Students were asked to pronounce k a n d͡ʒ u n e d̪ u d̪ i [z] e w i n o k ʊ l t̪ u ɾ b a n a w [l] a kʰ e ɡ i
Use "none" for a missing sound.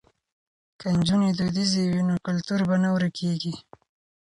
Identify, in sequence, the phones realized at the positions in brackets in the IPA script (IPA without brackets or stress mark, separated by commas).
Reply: z, ɾ